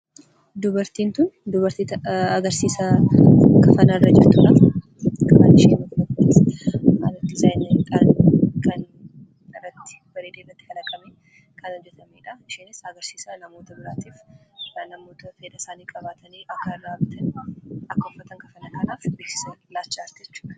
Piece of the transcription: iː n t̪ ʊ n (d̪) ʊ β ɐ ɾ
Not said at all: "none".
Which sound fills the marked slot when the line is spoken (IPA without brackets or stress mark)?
d̪